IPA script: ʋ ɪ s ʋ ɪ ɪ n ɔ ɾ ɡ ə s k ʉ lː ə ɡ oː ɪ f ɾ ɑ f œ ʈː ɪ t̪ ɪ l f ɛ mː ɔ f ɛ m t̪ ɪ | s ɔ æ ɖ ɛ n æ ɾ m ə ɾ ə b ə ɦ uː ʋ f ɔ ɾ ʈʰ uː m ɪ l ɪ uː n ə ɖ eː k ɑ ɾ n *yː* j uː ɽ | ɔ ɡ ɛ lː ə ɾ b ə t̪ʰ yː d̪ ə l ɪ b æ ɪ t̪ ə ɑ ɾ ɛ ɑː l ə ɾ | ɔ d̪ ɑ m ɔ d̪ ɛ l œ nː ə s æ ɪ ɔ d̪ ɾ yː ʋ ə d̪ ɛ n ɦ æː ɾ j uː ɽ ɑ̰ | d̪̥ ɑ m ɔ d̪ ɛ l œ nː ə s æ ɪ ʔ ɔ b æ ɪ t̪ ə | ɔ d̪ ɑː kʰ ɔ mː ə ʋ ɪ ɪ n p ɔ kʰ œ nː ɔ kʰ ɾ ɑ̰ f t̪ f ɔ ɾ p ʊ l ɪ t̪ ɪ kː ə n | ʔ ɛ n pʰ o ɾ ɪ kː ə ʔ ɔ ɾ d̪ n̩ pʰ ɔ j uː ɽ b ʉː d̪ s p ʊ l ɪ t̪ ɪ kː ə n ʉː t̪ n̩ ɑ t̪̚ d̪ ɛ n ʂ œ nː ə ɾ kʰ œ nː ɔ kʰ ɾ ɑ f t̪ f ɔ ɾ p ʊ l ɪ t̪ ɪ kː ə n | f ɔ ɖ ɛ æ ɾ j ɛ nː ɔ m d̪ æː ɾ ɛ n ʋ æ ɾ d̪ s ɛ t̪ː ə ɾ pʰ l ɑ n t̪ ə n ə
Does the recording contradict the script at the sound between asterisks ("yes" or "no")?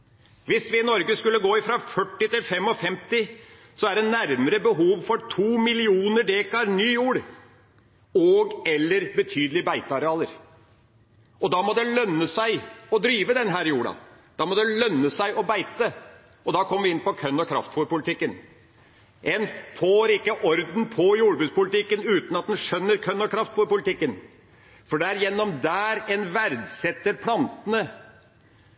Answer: no